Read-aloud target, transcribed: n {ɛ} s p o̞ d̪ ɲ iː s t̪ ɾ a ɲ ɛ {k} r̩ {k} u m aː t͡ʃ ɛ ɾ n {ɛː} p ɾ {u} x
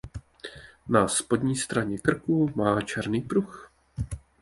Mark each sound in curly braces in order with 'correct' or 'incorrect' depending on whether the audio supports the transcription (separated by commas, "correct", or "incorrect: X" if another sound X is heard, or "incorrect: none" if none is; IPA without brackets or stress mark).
incorrect: a, correct, correct, incorrect: iː, correct